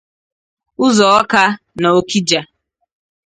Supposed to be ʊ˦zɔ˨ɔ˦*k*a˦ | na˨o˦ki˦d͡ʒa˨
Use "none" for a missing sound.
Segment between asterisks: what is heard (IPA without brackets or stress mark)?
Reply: k